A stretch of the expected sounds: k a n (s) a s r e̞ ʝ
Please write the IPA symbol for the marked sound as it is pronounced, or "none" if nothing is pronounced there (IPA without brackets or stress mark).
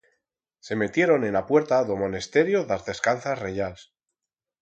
θ